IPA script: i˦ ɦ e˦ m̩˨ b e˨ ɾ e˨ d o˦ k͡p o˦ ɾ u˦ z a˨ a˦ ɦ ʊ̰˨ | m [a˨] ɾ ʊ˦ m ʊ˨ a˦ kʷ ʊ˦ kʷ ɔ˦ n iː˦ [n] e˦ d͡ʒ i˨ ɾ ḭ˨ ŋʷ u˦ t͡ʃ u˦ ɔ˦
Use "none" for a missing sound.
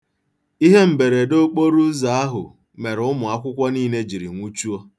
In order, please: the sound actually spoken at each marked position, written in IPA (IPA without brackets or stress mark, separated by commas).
e˨, n